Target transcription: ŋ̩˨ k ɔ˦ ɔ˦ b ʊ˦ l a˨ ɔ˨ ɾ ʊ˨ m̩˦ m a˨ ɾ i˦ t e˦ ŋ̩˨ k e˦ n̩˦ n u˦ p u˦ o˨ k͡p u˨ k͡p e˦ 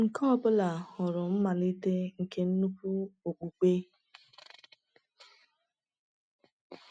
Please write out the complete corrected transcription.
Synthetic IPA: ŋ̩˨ k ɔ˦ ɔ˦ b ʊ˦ l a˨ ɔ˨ ɾ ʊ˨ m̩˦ m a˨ l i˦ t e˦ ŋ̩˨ k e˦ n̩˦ n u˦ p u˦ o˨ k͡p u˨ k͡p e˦

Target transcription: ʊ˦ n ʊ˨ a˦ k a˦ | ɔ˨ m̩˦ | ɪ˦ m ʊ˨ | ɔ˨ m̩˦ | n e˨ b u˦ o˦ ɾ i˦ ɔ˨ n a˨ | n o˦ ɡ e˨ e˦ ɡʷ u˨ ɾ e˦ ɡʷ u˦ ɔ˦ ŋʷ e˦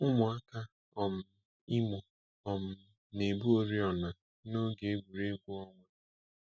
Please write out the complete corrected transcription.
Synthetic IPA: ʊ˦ m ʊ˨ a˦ k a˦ | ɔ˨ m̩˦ | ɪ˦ m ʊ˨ | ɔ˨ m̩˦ | n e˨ b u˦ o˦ ɾ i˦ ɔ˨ n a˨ | n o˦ ɡ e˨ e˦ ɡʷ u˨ ɾ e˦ ɡʷ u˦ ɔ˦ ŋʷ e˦

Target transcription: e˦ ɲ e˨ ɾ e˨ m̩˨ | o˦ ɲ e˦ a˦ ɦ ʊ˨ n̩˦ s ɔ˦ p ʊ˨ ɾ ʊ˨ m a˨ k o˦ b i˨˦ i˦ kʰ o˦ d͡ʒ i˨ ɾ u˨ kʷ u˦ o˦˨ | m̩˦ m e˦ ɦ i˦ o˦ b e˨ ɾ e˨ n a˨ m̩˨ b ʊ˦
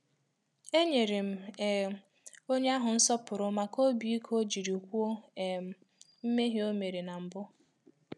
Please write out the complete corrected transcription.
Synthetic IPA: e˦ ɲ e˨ ɾ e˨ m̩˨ | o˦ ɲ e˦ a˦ ɦ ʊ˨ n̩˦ s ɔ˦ p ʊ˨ ɾ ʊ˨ m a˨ k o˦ b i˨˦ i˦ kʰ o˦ d͡ʒ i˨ ɾ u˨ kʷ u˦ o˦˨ | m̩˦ m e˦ ɦ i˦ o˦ m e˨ ɾ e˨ n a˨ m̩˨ b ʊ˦

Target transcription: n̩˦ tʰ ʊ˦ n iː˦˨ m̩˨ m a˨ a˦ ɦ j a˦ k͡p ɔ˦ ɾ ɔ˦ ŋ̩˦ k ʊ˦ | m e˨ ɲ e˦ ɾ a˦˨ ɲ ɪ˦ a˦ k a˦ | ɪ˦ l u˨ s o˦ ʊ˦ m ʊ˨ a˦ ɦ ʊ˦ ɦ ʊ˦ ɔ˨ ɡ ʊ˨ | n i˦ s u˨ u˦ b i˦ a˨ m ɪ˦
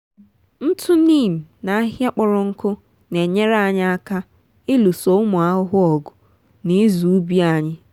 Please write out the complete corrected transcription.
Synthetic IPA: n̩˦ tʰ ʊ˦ n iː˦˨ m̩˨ n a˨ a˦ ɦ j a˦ k͡p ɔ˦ ɾ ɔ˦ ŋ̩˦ k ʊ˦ | n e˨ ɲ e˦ ɾ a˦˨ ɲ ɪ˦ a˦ k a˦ | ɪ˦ l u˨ s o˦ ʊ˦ m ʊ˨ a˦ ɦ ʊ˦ ɦ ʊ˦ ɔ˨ ɡ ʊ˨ | n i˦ z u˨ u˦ b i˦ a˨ ɲ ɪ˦

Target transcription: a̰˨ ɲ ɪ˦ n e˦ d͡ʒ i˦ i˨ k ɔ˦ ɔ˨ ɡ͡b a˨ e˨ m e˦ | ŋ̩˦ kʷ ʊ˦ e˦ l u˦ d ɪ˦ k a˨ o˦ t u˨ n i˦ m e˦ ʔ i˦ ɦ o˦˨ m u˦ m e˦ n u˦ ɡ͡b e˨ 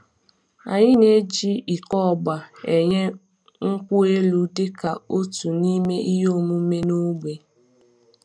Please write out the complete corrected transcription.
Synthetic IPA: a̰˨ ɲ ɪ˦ n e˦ d͡ʒ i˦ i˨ k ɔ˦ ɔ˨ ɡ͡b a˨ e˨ ɲ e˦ | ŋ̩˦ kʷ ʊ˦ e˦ l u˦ d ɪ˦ k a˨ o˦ t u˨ n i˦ m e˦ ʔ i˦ ɦ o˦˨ m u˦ m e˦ n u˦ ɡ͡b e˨

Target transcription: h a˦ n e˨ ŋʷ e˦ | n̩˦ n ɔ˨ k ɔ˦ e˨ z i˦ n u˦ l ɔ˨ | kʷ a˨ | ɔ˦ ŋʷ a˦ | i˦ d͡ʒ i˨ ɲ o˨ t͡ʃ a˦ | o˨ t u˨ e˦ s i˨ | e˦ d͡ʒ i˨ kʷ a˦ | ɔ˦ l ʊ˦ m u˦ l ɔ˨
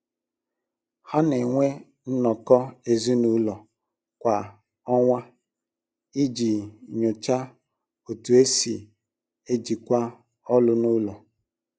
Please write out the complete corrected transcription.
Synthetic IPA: h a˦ n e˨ ŋʷ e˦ | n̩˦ n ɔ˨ k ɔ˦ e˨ z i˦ n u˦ l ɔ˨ | kʷ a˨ | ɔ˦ ŋʷ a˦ | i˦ d͡ʒ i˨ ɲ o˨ t͡ʃ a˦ | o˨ t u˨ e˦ s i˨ | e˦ d͡ʒ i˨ kʷ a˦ | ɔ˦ l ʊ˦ n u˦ l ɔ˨

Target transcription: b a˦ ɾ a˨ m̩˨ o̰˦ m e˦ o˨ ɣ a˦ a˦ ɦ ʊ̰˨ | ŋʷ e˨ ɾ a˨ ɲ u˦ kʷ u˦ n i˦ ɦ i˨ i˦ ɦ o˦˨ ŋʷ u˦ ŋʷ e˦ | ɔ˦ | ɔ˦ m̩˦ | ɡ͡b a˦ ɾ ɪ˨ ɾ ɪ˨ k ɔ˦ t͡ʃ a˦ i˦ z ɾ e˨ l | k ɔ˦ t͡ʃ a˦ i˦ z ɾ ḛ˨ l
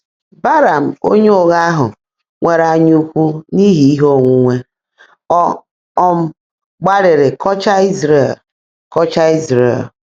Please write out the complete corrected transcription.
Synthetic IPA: b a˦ ɾ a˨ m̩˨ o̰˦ ɲ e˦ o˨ ɣ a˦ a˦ ɦ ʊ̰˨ | ŋʷ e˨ ɾ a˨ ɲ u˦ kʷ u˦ n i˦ ɦ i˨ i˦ ɦ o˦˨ ŋʷ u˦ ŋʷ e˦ | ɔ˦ | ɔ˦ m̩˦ | ɡ͡b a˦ ɾ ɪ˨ ɾ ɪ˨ k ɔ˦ t͡ʃ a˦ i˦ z ɾ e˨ l | k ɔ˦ t͡ʃ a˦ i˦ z ɾ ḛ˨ l

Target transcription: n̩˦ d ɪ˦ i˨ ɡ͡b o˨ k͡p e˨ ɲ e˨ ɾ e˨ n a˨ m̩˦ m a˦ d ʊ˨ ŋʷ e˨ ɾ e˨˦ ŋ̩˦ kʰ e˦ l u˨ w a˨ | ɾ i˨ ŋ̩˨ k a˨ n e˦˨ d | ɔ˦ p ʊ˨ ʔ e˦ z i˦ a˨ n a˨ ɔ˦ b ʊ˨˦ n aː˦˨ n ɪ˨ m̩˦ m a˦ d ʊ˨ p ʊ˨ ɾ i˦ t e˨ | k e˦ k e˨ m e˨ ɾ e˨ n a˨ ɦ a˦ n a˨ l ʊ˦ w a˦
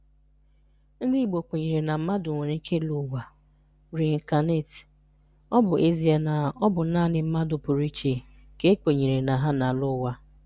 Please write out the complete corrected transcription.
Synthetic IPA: n̩˦ d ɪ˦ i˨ ɡ͡b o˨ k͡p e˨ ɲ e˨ ɾ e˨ n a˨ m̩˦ m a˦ d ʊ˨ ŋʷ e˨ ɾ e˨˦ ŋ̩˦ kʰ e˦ l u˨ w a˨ | ɾ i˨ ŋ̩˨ k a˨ n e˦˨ t | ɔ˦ b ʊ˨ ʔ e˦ z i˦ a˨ n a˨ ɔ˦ b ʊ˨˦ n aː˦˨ n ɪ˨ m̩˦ m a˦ d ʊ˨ p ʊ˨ ɾ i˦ t͡ʃ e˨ | k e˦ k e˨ ɲ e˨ ɾ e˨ n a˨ ɦ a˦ n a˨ l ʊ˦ w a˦

